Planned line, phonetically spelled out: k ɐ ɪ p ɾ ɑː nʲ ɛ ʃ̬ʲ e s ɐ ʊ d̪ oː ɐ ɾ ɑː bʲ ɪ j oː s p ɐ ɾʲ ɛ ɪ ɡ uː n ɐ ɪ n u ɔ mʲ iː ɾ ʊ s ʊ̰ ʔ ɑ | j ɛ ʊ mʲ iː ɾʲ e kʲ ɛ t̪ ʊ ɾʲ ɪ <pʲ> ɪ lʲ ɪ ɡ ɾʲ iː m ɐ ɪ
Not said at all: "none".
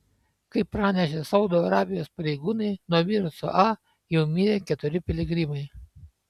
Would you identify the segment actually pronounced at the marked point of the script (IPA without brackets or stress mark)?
pʲ